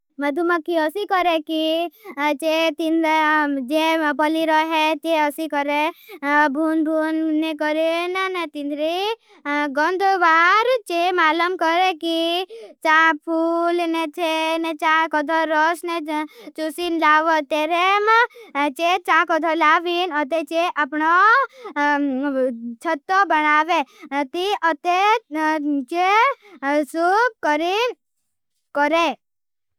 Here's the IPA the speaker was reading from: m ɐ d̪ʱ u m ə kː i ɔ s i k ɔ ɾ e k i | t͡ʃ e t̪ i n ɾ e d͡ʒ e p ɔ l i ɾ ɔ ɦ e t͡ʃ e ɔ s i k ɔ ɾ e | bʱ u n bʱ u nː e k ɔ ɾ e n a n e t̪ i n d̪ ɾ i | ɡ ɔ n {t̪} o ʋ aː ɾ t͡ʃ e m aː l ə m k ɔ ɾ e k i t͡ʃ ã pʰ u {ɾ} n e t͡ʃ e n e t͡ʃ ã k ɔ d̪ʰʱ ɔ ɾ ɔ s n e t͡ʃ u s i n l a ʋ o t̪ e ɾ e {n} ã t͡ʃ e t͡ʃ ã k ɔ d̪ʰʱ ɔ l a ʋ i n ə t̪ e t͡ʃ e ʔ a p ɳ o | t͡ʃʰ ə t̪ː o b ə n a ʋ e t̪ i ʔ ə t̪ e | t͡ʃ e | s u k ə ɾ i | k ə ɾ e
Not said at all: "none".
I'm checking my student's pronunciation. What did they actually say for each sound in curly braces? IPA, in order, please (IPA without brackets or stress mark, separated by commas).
d̪, l, m